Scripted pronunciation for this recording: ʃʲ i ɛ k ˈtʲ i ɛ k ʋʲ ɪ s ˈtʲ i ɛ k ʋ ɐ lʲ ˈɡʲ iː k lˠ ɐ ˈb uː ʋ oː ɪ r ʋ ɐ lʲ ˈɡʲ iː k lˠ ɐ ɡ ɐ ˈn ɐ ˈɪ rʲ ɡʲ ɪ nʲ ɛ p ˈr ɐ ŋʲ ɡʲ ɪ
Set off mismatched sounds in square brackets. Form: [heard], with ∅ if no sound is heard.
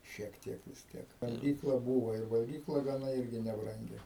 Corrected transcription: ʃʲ i ɛ k ˈtʲ i ɛ k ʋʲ ɪ s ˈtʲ i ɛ k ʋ ɐ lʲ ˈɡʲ iː k lˠ ɐ ˈb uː ʋ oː ɪ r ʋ ɐ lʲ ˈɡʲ iː k lˠ ɐ ɡ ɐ ˈn ɐ ˈɪ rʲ ɡʲ ɪ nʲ ɛ [b] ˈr ɐ ŋʲ ɡʲ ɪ